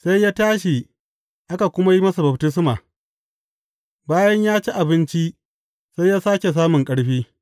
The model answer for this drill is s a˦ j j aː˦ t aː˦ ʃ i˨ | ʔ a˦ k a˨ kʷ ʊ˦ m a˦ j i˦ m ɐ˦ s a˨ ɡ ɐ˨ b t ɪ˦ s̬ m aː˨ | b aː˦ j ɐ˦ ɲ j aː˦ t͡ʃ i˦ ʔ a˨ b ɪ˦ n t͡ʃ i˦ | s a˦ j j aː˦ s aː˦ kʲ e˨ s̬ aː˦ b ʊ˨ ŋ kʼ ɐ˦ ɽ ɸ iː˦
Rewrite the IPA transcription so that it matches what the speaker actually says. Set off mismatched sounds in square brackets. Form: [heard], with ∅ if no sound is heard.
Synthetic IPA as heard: s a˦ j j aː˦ t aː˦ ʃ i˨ | ʔ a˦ k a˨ kʷ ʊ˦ m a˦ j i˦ m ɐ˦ s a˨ [b] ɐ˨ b t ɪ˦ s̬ m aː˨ | b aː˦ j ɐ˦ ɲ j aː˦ t͡ʃ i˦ ʔ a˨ b ɪ˦ n t͡ʃ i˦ | s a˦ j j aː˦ s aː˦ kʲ e˨ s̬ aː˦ [m] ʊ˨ ŋ kʼ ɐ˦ ɽ ɸ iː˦

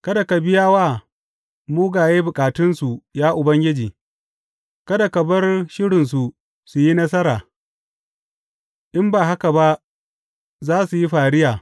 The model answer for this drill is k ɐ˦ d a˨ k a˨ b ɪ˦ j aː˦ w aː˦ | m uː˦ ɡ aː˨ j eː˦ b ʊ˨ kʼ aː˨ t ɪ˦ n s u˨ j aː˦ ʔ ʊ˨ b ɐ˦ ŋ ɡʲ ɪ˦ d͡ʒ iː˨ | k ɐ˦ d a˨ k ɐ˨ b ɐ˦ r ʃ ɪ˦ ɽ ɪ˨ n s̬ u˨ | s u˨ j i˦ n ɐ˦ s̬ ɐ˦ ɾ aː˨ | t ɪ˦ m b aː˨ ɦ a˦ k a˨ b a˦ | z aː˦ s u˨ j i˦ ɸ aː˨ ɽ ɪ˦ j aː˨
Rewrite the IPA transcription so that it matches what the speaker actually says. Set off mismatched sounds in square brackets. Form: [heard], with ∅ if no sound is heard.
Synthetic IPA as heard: k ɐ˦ d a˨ k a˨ b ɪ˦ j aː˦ w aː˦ | m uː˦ ɡ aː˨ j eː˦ b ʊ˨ kʼ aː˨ t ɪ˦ n s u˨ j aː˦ ʔ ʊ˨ b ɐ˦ ŋ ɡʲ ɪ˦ d͡ʒ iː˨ | k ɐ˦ d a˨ k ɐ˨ b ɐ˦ r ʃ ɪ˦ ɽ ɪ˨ n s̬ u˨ | s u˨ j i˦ n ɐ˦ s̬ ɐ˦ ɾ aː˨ | [ʔ] ɪ˦ m b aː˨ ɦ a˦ k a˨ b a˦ | z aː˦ s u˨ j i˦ ɸ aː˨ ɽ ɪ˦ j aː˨

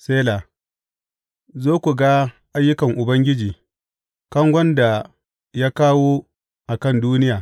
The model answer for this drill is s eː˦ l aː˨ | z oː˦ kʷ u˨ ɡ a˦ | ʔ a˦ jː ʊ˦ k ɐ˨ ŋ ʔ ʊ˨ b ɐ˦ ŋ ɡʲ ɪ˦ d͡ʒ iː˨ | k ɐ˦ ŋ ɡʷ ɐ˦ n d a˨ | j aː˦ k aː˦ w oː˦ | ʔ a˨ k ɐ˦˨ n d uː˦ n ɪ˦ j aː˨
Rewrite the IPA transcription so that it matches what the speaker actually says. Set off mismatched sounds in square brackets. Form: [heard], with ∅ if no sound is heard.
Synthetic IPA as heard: s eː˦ l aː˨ | z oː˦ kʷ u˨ ɡ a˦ | ʔ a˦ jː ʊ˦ k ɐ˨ ŋ ʔ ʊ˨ b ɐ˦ ŋ ɡʲ ɪ˦ d͡ʒ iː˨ | k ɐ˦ ŋ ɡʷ ɐ˦ n d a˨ | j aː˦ k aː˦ w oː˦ | ʔ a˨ k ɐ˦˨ n d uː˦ n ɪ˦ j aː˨

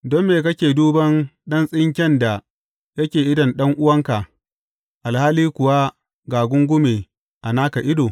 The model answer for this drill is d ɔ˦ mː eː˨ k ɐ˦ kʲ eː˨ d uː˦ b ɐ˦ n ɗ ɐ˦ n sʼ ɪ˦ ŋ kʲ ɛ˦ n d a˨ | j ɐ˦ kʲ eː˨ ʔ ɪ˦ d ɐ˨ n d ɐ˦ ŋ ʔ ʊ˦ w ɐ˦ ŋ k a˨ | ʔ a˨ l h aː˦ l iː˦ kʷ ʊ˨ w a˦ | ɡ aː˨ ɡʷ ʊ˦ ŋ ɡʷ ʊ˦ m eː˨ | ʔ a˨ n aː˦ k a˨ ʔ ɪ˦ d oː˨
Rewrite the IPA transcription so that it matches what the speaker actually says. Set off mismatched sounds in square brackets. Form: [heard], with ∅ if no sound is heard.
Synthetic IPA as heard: d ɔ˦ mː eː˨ k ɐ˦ kʲ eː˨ d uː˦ b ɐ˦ n ɗ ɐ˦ n sʼ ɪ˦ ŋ kʲ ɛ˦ n d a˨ | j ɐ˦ kʲ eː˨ ʔ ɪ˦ d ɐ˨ n [ɗ] ɐ˦ ŋ ʔ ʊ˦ w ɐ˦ ŋ k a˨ | ʔ a˨ l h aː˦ l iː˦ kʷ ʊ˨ w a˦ | ɡ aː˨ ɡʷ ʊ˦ ŋ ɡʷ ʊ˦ m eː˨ | ʔ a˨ n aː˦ k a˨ ʔ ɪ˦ d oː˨

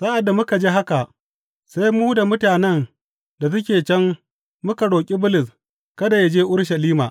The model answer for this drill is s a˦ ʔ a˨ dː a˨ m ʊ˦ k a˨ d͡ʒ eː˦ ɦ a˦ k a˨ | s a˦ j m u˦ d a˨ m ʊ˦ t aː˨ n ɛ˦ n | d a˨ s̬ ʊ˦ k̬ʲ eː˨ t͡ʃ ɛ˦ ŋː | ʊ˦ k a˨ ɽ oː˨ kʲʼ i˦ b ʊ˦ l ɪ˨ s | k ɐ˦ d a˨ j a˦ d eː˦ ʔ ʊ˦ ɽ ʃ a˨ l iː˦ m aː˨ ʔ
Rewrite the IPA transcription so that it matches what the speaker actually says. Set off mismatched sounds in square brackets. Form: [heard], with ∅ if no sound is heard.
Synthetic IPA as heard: s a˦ ʔ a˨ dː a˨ m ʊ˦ k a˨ d͡ʒ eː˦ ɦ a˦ k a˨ | s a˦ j m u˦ d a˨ m ʊ˦ t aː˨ n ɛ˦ n | d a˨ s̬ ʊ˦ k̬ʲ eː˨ t͡ʃ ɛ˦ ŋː | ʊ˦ k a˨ ɽ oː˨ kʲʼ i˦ b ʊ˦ l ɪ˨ s | k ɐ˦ d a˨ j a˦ [d͡ʒ] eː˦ ʔ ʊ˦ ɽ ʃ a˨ l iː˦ m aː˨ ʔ

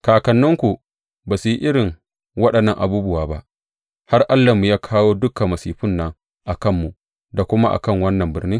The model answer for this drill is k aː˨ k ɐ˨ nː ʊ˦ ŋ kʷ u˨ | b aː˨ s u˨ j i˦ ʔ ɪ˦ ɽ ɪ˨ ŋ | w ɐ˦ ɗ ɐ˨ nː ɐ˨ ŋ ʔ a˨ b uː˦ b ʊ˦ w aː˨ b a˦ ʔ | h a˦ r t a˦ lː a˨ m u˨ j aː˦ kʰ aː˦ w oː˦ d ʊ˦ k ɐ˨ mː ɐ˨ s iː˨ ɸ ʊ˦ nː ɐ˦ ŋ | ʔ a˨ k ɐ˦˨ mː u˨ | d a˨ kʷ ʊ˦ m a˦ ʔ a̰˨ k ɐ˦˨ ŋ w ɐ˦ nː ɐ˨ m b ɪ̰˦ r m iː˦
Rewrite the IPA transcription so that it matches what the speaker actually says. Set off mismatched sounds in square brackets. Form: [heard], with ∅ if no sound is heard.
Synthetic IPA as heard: k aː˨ k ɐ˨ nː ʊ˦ ŋ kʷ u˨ | b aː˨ s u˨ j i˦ ʔ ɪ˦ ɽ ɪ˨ ŋ | w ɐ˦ ɗ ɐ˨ nː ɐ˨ ŋ ʔ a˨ b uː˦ b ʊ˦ w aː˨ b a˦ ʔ | h a˦ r [ʔ] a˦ lː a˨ m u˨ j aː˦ kʰ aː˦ w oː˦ d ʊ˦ k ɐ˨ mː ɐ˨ s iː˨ ɸ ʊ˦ nː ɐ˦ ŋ | ʔ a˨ k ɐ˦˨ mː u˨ | d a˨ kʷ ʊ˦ m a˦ ʔ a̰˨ k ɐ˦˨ ŋ w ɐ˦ nː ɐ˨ m b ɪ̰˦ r [n] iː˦

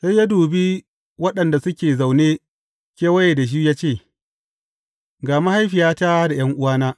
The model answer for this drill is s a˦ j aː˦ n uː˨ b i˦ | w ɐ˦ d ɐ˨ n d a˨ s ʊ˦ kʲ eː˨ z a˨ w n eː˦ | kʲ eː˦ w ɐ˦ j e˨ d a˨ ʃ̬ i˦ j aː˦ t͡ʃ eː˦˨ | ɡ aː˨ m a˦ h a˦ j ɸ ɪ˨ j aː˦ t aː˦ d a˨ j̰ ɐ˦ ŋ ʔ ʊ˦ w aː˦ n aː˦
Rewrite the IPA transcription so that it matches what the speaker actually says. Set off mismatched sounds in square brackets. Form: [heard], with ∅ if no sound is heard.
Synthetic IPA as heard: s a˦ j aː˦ [d] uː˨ b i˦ | w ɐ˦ [ɗ] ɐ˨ n d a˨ s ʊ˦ kʲ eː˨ z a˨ w n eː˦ | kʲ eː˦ w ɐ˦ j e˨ d a˨ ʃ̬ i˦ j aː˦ t͡ʃ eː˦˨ | ɡ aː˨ m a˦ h a˦ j ɸ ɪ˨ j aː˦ t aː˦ d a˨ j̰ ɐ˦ ŋ ʔ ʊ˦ w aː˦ n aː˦

